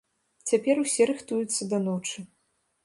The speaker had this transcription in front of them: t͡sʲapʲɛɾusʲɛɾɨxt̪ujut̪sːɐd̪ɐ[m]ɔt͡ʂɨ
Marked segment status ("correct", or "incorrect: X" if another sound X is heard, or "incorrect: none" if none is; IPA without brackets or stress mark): incorrect: n